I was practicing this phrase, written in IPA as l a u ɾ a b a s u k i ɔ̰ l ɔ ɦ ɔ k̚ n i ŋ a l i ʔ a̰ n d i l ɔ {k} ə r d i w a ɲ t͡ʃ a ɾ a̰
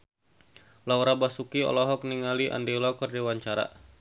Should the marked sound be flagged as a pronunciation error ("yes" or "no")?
no